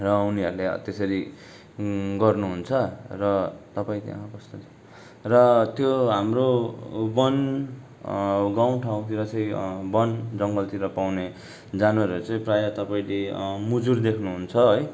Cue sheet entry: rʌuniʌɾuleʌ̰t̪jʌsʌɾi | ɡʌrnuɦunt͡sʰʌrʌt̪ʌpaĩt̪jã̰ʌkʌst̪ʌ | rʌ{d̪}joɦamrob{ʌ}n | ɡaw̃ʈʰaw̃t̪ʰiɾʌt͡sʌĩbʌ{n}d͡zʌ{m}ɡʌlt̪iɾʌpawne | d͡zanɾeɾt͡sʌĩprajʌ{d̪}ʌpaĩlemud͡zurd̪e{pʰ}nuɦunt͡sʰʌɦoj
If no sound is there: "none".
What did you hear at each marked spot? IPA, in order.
t̪, ʌ, n, ŋ, t̪, kʰ

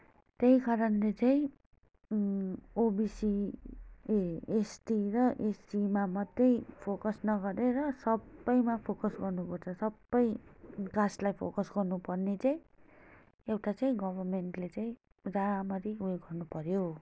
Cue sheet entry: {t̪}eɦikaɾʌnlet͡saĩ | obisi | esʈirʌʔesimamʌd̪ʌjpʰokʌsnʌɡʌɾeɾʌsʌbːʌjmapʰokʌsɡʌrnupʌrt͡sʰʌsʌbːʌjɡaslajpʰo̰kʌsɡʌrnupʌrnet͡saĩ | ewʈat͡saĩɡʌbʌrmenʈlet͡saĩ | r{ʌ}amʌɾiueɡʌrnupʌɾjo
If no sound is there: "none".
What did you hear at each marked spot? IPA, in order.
t̪, a

